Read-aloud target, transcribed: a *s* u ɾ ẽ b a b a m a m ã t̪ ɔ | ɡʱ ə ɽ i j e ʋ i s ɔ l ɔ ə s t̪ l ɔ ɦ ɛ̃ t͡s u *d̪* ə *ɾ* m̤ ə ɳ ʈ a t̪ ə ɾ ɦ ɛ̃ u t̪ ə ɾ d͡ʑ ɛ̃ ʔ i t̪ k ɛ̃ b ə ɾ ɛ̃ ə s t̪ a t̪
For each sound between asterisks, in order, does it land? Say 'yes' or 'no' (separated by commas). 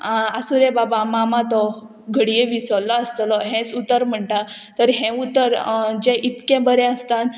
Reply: yes, no, yes